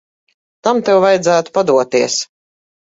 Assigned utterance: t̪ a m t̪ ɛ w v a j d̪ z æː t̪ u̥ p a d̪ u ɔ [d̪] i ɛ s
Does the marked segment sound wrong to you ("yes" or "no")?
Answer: yes